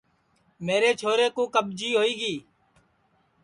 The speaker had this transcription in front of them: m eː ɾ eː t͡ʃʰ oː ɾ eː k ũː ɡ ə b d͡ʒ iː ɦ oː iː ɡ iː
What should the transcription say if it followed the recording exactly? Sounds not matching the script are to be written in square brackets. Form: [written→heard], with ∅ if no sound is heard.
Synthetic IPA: m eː ɾ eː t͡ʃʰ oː ɾ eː k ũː [ɡ→k] ə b d͡ʒ iː ɦ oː iː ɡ iː